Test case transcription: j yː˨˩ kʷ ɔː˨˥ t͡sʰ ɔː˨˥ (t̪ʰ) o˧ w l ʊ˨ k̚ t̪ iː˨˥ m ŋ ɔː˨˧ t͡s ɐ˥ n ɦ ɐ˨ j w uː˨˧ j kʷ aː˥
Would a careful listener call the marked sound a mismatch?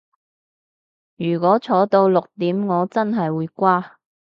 yes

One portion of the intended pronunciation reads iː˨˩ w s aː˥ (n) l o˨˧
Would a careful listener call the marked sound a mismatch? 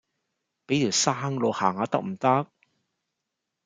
yes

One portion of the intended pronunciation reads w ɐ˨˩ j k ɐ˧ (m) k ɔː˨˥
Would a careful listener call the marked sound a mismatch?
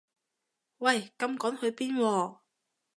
no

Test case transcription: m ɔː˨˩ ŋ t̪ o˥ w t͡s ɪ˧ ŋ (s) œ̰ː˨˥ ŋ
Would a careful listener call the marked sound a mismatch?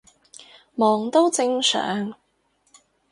no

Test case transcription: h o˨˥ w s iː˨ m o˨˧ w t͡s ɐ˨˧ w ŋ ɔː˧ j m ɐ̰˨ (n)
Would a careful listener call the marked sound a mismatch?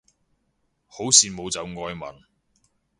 no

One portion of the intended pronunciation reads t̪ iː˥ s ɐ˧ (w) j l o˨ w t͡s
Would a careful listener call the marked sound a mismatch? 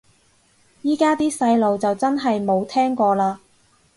yes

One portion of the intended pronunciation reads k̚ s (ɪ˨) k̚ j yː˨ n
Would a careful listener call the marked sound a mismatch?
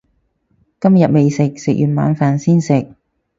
no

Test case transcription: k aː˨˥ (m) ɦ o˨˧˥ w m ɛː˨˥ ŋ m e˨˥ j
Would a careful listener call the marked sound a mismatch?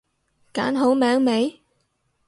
yes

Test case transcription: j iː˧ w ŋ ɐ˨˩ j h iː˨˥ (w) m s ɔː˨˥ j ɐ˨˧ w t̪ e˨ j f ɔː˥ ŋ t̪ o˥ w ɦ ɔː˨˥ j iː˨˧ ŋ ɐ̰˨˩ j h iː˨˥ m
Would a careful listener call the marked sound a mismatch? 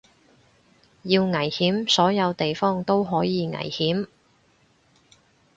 yes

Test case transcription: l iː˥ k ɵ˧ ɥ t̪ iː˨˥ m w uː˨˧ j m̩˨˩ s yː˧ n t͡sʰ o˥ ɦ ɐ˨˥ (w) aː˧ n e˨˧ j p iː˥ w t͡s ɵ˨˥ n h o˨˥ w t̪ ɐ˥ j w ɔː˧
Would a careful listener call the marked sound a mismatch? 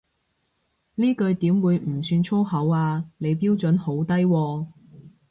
no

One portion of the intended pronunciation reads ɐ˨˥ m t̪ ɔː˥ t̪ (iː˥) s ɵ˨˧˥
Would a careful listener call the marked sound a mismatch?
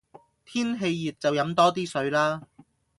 no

